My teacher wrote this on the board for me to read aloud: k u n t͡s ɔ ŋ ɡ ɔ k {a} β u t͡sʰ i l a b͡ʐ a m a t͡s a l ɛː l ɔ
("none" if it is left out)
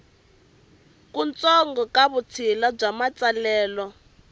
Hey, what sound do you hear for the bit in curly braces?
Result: a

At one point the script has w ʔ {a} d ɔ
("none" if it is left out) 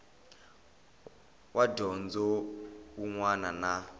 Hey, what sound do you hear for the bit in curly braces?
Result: a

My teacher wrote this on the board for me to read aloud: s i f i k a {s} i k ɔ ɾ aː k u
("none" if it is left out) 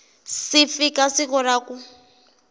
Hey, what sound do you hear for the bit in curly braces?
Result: s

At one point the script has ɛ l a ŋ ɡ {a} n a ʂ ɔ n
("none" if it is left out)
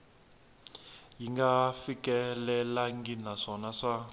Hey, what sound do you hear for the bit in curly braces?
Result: i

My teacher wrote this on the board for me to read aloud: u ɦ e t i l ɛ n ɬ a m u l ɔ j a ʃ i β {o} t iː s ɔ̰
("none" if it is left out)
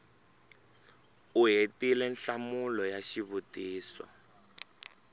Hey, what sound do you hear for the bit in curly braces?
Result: u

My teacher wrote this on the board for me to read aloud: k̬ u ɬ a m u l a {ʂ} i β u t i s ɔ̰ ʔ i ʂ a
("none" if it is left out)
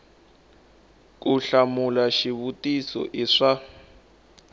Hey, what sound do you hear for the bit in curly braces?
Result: ʃ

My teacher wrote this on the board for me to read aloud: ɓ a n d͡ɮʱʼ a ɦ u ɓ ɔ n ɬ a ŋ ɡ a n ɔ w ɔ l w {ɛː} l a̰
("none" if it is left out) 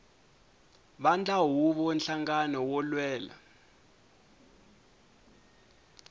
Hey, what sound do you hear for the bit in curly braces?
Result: ɛː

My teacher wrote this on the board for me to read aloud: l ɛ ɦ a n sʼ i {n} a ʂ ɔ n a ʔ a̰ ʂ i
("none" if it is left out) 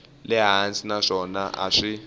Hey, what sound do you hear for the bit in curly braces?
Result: n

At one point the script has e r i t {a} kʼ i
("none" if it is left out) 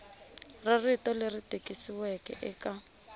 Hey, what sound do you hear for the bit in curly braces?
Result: e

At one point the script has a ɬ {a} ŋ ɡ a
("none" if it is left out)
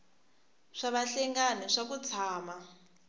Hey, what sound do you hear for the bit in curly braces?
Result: ɛ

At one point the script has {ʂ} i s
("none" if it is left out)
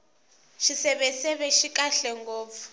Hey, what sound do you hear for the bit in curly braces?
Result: ʃ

